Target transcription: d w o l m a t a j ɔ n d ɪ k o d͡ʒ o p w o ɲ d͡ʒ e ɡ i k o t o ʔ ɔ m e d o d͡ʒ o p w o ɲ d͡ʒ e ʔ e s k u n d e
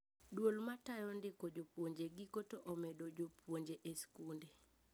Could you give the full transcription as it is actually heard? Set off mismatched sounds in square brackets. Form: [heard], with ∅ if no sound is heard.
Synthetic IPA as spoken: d w o l m a t a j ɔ n d ɪ k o d͡ʒ o p w o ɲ d͡ʒ e ɡ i k o t o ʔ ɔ m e d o d͡ʒ o p w o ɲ d͡ʒ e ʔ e s k u n d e